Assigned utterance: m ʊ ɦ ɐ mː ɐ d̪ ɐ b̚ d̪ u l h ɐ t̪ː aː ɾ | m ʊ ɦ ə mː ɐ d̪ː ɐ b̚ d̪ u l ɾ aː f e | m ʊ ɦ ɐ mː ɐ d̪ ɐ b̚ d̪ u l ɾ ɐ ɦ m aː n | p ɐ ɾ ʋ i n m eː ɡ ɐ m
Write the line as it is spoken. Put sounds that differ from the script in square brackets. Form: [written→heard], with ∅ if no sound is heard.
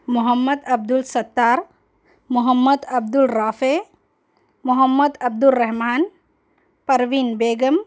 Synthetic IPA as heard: m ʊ ɦ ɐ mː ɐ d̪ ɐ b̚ d̪ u l [h→s] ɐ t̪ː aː ɾ | m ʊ ɦ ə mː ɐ [d̪ː→d̪] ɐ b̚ d̪ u l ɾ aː f e | m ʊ ɦ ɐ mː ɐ d̪ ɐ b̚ d̪ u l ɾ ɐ ɦ m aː n | p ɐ ɾ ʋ i n [m→b] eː ɡ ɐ m